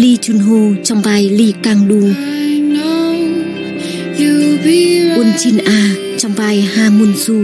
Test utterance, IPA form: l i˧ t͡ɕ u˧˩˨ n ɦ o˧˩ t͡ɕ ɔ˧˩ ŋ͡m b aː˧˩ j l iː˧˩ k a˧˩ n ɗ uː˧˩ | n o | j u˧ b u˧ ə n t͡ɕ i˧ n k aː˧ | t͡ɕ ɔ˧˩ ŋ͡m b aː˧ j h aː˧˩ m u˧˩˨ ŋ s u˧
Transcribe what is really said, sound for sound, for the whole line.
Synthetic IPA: l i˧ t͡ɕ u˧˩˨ n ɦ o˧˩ t͡ɕ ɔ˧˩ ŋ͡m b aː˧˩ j l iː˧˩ k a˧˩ ŋ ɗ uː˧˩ | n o | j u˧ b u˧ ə n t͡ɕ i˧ n ʔ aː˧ | t͡ɕ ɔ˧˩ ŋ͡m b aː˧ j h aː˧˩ m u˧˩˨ n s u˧